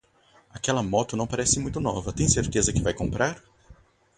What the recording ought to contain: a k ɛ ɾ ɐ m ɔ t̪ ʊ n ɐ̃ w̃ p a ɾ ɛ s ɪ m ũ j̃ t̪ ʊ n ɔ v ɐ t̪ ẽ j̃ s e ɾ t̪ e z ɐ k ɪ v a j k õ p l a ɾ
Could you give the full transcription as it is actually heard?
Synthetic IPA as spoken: a k ɛ l ɐ m ɔ t̪ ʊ n ɐ̃ w̃ p a ɾ ɛ s ɪ m ũ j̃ t̪ ʊ n ɔ v ɐ t̪ ẽ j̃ s e ɾ t̪ e z ɐ k ɪ v a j k õ p ɾ a ɾ